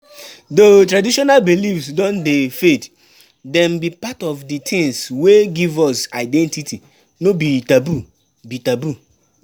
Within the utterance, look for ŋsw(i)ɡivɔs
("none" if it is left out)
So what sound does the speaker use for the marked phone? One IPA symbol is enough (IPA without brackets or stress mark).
e